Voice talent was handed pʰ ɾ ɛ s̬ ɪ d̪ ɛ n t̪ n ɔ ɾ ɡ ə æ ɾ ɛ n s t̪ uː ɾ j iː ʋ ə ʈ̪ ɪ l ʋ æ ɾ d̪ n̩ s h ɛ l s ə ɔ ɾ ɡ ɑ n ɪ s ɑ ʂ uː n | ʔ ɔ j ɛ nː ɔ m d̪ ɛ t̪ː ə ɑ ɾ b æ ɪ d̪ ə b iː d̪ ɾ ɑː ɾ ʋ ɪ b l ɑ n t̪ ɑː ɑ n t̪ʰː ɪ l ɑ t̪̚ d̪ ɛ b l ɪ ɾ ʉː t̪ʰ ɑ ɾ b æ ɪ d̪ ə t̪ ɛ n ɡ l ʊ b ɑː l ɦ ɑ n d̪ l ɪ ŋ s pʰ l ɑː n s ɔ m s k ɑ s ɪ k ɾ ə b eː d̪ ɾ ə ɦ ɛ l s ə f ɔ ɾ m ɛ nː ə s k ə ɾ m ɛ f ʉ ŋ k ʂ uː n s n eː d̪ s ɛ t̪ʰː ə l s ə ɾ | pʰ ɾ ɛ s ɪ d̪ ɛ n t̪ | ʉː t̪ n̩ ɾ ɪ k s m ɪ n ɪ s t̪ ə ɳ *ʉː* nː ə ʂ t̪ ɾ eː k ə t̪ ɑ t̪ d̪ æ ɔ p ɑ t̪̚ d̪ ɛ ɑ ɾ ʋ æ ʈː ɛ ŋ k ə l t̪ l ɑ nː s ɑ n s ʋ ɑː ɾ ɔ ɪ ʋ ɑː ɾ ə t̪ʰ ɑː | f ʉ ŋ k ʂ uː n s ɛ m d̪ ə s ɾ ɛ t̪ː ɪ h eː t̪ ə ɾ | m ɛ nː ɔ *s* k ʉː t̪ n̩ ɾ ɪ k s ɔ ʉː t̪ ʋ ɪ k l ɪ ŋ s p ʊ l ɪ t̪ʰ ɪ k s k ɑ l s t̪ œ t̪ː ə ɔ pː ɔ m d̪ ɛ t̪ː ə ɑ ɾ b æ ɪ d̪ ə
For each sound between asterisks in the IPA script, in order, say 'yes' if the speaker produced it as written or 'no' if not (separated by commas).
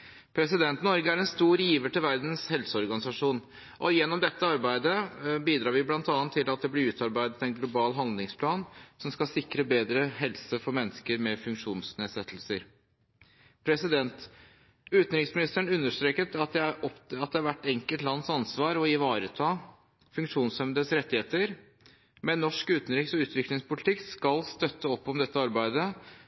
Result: no, no